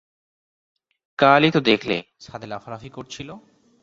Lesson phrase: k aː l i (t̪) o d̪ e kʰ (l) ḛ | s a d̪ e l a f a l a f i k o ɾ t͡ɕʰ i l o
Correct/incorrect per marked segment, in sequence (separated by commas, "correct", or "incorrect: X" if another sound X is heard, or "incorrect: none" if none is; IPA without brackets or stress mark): correct, correct